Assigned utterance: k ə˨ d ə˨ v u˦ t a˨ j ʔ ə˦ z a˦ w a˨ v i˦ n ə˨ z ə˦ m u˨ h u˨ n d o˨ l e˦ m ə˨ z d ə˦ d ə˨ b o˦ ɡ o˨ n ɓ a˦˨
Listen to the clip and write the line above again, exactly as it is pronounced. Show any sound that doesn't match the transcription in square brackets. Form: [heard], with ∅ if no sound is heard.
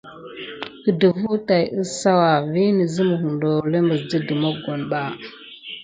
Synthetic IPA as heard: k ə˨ d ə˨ v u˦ t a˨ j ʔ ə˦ [s] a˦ w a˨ v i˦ n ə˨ z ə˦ m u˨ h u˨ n d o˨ l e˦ m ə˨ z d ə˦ d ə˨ [m] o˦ ɡ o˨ n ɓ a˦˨